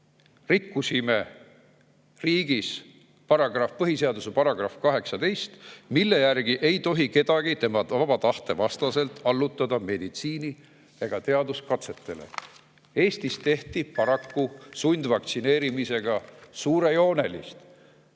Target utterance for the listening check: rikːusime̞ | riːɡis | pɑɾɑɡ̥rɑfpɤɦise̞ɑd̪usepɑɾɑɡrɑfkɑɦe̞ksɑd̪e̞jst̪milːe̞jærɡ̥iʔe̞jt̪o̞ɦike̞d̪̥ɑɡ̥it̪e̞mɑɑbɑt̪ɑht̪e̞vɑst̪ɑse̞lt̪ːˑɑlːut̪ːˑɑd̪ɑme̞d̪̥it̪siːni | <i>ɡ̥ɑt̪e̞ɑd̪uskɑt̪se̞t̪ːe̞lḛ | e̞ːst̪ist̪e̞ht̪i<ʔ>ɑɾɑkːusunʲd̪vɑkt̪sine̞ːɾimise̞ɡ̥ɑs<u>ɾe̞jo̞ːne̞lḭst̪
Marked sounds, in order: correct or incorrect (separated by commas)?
incorrect, incorrect, incorrect